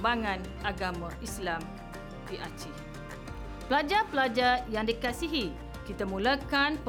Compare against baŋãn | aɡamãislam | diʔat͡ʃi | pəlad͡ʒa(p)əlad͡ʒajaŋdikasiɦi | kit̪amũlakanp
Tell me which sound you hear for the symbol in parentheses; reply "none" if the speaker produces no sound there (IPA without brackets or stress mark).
p